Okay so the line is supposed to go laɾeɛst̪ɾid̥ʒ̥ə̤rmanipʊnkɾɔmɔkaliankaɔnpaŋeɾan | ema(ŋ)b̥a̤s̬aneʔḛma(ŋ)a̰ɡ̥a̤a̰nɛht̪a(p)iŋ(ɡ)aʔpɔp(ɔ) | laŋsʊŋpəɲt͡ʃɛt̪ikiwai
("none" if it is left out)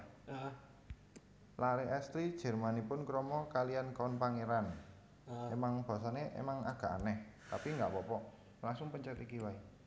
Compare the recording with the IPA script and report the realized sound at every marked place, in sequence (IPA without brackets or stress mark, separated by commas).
ŋ, ŋ, p, ɡ, ɔ